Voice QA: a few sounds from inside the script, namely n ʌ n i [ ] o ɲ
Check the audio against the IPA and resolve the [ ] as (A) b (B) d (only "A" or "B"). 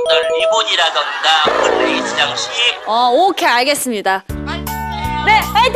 A